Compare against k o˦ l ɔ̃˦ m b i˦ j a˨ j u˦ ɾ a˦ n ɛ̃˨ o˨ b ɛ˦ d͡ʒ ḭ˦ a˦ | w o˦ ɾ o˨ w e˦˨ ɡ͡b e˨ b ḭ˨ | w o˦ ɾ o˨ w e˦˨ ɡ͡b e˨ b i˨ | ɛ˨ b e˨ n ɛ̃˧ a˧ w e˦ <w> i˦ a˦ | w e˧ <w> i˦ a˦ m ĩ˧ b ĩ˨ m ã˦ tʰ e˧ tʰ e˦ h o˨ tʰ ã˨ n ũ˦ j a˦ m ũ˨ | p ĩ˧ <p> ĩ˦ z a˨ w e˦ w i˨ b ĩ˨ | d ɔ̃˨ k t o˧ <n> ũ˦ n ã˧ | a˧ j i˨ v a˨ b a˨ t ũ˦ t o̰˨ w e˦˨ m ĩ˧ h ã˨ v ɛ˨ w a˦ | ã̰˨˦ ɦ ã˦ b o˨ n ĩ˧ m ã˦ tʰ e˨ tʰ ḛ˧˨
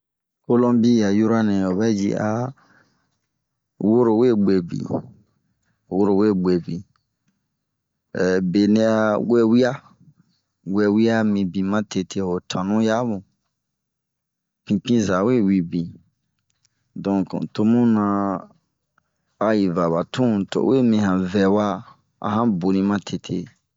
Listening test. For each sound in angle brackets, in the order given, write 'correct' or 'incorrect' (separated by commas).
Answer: correct, correct, correct, incorrect